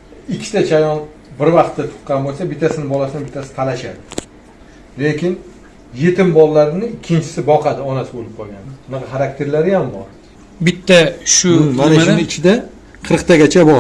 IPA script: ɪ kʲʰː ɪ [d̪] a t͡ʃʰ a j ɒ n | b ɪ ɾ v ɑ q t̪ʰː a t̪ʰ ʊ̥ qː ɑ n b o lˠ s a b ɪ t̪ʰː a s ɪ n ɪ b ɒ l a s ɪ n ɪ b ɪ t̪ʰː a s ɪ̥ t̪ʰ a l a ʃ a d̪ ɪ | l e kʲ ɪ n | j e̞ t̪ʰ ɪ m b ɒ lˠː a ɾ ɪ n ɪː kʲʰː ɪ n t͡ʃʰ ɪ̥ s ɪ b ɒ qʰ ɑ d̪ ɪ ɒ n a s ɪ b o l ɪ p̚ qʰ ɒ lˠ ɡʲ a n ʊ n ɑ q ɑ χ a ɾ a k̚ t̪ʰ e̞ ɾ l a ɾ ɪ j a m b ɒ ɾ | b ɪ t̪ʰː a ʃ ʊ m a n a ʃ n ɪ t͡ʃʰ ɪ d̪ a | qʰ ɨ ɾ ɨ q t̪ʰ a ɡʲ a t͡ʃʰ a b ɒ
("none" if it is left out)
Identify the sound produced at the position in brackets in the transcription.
t̪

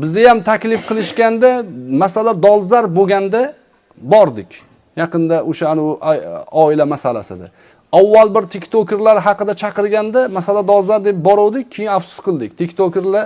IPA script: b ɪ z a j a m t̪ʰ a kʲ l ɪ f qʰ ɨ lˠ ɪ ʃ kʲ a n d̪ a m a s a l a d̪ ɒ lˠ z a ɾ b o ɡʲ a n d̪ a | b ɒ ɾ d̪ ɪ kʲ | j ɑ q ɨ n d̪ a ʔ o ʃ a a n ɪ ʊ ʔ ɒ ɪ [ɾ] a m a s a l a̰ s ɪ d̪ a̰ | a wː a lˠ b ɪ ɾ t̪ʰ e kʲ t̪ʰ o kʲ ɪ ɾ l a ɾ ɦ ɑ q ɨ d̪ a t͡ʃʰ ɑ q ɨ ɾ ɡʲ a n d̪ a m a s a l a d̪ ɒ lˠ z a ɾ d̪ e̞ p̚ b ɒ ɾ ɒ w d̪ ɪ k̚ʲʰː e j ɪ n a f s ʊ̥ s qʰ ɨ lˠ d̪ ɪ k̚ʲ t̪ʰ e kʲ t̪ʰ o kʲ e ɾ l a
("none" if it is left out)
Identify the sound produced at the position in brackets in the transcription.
l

